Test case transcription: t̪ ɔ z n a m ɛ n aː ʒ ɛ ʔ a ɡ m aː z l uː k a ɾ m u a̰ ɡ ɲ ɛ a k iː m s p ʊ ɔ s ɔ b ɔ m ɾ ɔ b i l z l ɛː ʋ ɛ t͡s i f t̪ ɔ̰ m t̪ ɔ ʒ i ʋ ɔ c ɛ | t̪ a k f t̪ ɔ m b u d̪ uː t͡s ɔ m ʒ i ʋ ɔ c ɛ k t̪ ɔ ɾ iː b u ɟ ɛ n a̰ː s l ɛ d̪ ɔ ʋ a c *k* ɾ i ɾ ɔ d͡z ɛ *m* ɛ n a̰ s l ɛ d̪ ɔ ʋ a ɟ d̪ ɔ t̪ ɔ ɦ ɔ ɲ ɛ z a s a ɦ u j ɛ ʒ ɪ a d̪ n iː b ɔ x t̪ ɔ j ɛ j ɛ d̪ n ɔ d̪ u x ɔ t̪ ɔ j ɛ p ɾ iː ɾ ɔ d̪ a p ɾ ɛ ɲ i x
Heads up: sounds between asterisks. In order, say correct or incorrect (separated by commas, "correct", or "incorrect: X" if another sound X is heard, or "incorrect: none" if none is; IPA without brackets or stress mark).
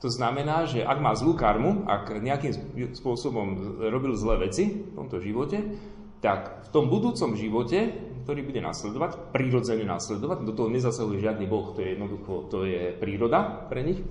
incorrect: p, incorrect: ɲ